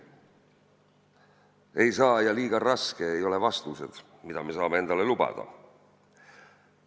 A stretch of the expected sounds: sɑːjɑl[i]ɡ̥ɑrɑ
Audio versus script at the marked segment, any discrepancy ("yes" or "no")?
yes